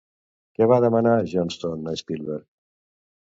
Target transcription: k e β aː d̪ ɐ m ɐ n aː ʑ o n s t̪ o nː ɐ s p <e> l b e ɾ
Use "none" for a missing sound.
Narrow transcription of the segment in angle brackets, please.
i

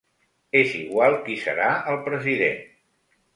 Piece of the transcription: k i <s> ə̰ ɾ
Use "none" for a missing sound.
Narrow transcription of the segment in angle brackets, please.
s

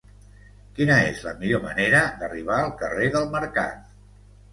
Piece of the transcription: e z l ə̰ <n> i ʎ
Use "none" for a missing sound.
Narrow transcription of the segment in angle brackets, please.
m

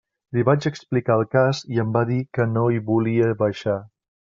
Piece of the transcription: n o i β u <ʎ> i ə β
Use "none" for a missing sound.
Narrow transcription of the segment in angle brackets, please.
l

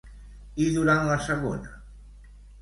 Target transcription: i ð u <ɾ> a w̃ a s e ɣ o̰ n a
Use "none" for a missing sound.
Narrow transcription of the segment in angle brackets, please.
ɾ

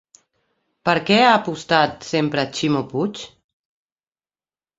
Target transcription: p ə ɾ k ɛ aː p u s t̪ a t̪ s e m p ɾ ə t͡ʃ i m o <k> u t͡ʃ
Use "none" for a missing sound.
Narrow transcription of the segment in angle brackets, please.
p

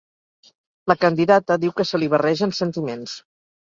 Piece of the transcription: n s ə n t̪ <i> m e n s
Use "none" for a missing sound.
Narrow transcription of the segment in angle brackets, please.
i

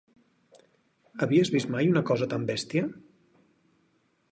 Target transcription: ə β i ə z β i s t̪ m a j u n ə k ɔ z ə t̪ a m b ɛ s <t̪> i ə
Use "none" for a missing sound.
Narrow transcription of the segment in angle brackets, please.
t̪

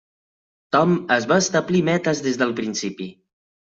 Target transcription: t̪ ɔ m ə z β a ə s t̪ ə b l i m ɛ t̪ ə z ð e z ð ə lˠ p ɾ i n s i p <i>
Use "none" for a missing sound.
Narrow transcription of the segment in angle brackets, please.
i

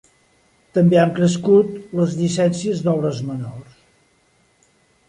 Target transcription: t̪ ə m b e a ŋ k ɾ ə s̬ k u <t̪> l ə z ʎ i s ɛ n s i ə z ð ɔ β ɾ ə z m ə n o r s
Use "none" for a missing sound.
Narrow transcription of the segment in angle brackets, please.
t̪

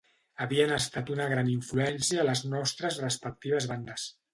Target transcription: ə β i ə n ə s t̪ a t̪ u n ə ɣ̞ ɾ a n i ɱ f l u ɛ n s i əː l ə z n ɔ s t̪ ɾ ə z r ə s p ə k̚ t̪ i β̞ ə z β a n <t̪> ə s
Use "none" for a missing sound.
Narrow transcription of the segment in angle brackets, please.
d̪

